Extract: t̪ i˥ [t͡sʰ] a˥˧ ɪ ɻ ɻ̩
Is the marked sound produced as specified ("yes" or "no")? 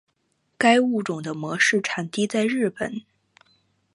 no